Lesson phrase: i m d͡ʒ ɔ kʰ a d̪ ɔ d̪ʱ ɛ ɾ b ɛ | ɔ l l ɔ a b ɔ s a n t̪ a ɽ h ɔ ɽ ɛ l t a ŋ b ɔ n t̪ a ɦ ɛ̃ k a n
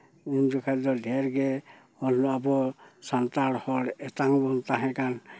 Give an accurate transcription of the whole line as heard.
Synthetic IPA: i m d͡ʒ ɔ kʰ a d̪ ɔ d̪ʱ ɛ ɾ ɡ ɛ | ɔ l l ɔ a b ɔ s a n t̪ a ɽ h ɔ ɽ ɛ t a ŋ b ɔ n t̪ a ɦ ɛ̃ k a n